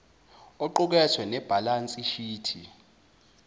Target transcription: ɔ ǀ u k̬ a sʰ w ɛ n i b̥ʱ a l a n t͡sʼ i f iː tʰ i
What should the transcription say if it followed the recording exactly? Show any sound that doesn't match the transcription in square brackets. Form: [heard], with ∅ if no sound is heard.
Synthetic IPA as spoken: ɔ [ǃ] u k̬ [ɛ] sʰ w ɛ n [ɛ] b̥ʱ a l a n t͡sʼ i [ʃ] iː tʰ i